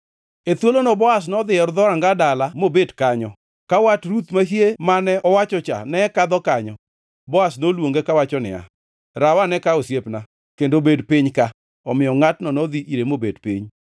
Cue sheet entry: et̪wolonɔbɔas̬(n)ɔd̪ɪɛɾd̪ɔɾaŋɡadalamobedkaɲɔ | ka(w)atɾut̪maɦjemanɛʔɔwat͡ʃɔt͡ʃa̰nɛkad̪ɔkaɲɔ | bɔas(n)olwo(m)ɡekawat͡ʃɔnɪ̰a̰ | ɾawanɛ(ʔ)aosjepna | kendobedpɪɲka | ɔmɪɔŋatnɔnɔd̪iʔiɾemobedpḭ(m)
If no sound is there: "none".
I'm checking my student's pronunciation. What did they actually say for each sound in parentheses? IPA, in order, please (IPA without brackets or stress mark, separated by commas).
n, w, n, ŋ, k, ɲ